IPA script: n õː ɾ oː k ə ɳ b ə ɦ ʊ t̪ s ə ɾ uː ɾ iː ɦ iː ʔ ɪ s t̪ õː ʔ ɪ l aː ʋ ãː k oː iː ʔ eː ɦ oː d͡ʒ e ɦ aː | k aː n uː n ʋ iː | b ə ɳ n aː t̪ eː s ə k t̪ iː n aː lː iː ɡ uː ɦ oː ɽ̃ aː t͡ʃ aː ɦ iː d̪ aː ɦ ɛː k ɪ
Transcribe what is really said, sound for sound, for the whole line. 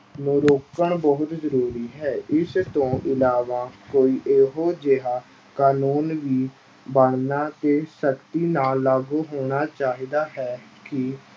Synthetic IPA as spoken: n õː ɾ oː k ə ɳ b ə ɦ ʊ t̪ z ə ɾ uː ɾ iː ɦ ɛː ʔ ɪ s t̪ õː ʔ ɪ l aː ʋ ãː k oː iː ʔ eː ɦ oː d͡ʒ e ɦ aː | k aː n uː n ʋ iː | b ə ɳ n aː t̪ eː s ə k t̪ iː n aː lː aː ɡ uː ɦ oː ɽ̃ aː t͡ʃ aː ɦ iː d̪ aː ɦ ɛː k ɪ

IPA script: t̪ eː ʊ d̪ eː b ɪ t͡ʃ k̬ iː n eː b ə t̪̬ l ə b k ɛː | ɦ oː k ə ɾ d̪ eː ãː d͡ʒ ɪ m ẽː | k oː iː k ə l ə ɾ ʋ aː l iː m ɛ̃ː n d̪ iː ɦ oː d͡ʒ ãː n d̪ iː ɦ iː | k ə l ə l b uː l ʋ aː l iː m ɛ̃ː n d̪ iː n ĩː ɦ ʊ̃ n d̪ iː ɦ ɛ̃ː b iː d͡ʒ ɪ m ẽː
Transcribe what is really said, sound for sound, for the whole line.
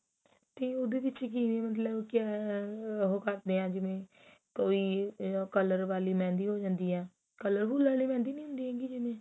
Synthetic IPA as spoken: t̪ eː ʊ d̪ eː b ɪ t͡ʃ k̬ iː n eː m ə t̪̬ l ə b k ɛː | ɦ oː k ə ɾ d̪ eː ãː d͡ʒ ɪ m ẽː | k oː iː k ə l ə ɾ ʋ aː l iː m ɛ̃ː n d̪ iː ɦ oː d͡ʒ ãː n d̪ iː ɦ ɛː | k ə l ə ɾ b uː l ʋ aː l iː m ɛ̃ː n d̪ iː n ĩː ɦ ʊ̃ n d̪ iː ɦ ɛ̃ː ɡ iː d͡ʒ ɪ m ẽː

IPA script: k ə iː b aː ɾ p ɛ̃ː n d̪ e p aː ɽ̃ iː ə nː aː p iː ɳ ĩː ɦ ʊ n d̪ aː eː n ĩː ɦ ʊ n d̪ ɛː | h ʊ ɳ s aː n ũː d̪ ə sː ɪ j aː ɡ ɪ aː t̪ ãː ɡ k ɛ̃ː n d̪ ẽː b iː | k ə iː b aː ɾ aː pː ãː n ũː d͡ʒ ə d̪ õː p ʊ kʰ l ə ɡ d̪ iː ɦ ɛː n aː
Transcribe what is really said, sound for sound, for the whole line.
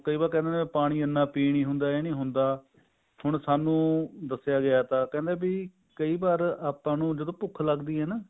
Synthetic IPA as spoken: k ə iː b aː ɾ k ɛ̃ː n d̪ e p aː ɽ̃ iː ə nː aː p iː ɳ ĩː ɦ ʊ n d̪ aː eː n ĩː ɦ ʊ n d̪ aː | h ʊ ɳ s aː n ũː d̪ ə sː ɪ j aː ɡ ɪ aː t̪ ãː k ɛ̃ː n d̪ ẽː b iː | k ə iː b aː ɾ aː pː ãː n ũː d͡ʒ ə d̪ õː p ʊ kʰ l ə ɡ d̪ iː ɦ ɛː n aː

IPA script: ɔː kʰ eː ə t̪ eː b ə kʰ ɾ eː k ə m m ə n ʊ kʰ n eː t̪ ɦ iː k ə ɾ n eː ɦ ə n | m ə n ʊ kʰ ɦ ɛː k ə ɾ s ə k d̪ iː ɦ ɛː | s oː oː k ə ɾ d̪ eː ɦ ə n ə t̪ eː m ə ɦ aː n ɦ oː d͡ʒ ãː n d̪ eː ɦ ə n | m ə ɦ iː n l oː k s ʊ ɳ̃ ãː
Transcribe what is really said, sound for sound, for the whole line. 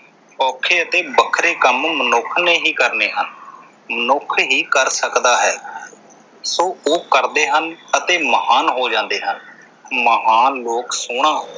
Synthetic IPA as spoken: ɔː kʰ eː ə t̪ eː b ə kʰ ɾ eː k ə m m ə n ʊ kʰ n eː ɦ iː k ə ɾ n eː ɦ ə n | m ə n ʊ kʰ ɦ iː k ə ɾ s ə k d̪ aː ɦ ɛː | s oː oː k ə ɾ d̪ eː ɦ ə n ə t̪ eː m ə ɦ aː n ɦ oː d͡ʒ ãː n d̪ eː ɦ ə n | m ə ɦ aː n l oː k s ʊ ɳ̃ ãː

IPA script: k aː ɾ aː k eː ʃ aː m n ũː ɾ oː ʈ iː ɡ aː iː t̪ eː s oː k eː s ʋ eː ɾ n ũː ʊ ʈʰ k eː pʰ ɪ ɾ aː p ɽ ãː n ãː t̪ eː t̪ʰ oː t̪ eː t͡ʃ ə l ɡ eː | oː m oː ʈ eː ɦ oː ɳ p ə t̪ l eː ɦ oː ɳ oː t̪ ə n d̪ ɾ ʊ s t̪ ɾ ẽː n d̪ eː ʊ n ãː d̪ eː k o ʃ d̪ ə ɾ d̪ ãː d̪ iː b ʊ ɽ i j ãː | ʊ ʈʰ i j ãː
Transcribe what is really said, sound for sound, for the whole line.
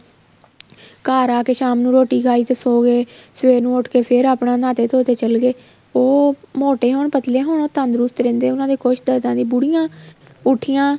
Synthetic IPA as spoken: k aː ɾ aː k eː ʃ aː m n ũː ɾ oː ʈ iː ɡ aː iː t̪ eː s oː ɡ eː s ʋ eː ɾ n ũː ʊ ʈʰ k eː pʰ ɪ ɾ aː p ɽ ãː n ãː t̪ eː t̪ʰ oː t̪ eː t͡ʃ ə l ɡ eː | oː m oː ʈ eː ɦ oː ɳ p ə t̪ l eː ɦ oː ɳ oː t̪ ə n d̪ ɾ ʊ s t̪ ɾ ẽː n d̪ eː ʊ n ãː d̪ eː k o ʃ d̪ ə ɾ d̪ ãː d̪ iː b ʊ ɽ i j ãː | ʊ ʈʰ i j ãː

